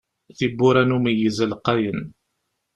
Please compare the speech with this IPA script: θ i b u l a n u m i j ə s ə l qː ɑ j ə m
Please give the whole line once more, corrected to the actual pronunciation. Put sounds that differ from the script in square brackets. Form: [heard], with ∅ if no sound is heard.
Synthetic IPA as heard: θ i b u [ɾ] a n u m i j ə [z] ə l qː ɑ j ə [n]